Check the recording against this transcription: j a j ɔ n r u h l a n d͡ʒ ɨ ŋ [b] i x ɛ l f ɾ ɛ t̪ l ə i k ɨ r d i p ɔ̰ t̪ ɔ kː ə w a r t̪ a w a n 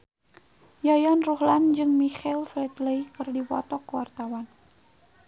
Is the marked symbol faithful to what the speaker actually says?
no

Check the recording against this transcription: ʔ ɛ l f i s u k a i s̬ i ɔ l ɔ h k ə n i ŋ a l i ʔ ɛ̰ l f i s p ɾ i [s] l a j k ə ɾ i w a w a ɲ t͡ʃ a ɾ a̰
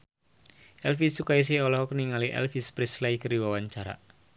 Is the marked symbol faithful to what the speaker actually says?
yes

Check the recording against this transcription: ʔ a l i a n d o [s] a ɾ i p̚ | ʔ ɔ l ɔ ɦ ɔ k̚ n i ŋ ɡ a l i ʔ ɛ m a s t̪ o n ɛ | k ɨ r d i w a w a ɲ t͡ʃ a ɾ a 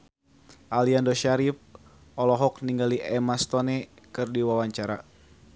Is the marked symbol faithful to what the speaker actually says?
no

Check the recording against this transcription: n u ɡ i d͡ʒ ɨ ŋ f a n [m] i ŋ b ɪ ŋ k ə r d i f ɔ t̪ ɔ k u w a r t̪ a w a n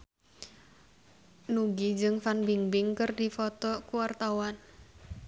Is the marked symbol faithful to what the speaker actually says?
no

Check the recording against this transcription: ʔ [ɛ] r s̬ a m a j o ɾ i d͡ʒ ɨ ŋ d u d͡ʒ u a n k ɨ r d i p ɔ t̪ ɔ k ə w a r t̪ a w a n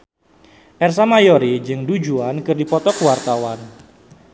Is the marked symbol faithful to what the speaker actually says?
yes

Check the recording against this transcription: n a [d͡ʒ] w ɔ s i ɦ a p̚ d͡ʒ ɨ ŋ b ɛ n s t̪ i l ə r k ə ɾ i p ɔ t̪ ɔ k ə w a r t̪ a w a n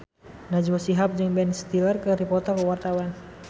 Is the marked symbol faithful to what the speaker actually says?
yes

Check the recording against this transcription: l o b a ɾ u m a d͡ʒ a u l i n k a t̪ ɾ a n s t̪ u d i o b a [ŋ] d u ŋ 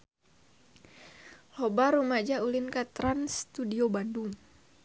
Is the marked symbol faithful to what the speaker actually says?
no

